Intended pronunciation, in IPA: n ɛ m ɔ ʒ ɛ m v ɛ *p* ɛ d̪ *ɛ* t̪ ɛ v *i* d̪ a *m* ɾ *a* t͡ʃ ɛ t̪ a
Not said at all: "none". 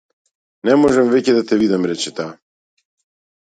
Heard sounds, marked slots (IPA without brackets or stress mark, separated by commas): c, a, i, m, ɛ